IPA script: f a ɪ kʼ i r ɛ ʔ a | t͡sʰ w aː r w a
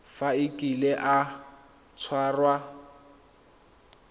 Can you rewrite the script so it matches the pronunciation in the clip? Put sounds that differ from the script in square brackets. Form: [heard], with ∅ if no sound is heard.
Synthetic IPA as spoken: f a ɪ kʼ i [l] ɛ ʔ a | t͡sʰ w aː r w a